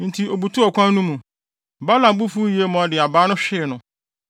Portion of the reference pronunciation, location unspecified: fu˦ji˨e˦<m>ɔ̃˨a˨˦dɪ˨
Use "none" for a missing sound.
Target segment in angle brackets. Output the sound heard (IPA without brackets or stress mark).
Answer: m